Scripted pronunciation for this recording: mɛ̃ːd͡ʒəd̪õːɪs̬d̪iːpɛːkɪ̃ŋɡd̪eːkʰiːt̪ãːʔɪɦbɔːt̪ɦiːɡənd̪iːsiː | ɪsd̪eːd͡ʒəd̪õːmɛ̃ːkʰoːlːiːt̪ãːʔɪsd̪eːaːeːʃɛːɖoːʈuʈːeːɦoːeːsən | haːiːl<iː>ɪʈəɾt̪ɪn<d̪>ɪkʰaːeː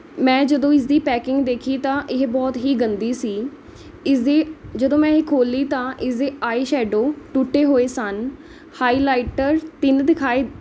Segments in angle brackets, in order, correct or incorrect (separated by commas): incorrect, correct